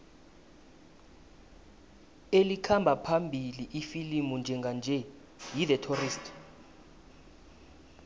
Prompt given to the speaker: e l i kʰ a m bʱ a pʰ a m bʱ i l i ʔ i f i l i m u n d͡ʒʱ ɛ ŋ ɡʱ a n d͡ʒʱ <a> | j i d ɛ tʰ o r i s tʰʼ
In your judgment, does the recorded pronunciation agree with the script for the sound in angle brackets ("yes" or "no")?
no